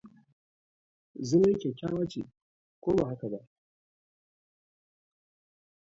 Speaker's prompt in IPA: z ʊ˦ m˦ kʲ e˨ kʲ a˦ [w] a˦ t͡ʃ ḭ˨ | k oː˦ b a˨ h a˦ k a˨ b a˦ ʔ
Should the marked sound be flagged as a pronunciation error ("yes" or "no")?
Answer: no